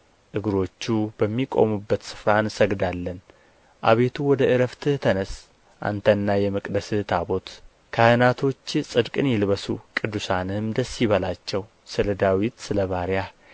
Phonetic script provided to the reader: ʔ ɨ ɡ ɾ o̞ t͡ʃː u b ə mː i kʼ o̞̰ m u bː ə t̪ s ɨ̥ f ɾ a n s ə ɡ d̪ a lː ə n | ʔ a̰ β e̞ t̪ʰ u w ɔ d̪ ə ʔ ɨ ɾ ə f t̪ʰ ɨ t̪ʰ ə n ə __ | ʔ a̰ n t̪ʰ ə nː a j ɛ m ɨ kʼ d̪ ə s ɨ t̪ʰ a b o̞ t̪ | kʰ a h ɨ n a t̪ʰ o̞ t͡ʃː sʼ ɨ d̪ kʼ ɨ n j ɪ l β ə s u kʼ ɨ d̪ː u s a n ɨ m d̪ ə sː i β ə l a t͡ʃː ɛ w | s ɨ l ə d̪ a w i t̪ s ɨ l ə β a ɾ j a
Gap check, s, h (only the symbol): s